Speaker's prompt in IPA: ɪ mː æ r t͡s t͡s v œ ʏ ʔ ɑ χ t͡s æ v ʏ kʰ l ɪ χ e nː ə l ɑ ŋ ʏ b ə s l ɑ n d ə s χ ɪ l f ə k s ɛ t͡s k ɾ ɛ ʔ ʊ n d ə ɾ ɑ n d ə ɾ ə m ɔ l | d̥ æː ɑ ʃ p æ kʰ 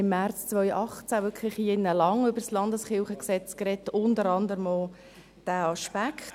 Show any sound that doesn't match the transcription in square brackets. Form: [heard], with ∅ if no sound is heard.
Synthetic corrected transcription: ɪ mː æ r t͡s t͡s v œ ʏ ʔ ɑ χ t͡s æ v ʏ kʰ l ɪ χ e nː ə l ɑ ŋ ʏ b ə s l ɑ n d ə s χ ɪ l [χ] ə k s ɛ t͡s k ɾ ɛ [t] ʊ n d ə ɾ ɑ n d ə ɾ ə m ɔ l | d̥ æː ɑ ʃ p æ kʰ